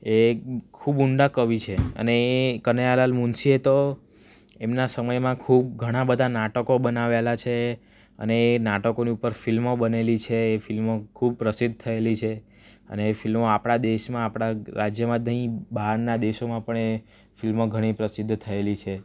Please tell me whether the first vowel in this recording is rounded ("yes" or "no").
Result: no